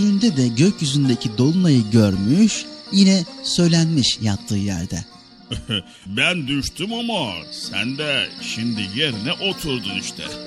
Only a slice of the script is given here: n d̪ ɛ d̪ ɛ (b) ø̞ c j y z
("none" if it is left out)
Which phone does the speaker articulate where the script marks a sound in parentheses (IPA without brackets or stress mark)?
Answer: ɟ